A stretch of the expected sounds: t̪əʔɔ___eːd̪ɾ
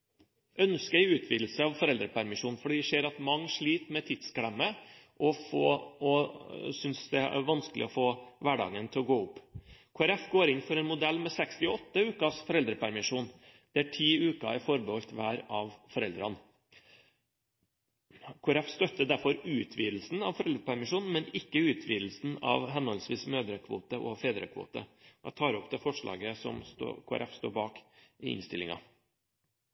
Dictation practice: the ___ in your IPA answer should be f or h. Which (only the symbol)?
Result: f